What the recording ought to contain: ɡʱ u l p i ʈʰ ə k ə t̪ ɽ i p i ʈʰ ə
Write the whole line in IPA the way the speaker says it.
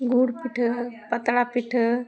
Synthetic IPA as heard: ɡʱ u ɽ p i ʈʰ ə p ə t̪ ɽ a p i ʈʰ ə